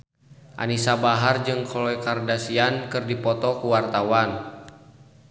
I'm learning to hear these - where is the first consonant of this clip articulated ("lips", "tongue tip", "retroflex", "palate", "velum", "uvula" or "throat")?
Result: throat